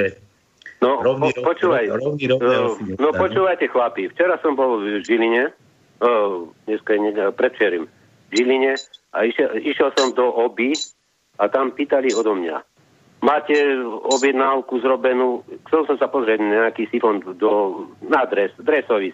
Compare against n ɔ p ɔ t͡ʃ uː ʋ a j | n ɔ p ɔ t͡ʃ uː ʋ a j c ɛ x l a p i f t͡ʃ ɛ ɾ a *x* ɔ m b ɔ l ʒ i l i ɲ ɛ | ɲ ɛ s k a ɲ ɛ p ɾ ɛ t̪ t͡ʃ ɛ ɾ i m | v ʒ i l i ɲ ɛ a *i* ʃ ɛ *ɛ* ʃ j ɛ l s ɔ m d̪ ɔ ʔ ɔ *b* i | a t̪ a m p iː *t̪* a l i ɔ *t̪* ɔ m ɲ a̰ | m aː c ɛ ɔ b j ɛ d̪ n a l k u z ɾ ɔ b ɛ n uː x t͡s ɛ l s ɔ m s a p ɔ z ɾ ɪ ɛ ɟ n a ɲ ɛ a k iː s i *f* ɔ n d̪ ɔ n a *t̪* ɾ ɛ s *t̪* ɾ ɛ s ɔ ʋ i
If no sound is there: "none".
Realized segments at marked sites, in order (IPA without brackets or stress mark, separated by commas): s, i, i, b, t̪, d̪, f, d̪, d̪